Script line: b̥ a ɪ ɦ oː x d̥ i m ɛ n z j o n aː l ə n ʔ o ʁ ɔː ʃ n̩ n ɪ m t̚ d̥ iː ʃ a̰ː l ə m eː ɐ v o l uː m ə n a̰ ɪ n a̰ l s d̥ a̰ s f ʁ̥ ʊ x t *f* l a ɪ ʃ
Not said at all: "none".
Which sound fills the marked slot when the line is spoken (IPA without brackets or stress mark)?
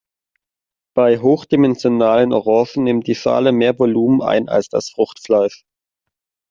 f